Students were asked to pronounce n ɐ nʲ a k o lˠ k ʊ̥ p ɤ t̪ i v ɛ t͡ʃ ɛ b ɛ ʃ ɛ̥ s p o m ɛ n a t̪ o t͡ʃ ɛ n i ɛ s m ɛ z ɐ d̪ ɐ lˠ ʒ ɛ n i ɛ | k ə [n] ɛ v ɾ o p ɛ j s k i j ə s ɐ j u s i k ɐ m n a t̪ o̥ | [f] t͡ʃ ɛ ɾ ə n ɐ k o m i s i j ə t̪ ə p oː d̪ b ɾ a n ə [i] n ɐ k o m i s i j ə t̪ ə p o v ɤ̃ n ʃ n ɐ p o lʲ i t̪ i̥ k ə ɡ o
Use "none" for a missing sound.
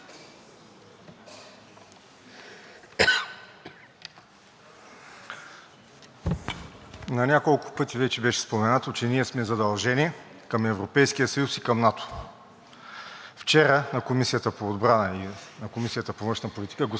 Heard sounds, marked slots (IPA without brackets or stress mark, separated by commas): m, f, i